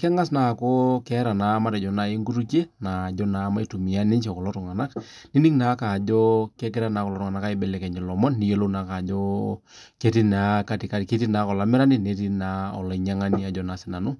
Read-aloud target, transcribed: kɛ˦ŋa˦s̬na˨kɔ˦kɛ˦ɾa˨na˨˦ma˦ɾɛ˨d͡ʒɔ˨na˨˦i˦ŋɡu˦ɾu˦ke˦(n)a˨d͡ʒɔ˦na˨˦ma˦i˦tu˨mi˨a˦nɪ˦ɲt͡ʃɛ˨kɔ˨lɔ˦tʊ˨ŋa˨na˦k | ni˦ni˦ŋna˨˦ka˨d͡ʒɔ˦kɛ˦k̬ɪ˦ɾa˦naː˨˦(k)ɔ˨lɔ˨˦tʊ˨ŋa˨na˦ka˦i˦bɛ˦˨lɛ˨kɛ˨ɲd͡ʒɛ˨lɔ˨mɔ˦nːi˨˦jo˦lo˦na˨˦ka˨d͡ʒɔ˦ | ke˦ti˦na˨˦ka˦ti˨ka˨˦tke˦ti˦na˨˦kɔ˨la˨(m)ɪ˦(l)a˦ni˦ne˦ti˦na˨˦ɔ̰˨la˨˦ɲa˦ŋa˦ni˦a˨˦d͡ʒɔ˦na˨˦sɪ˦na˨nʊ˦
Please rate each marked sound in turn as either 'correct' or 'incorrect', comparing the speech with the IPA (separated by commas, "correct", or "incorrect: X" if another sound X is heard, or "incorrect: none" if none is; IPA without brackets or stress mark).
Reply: correct, correct, correct, incorrect: ɾ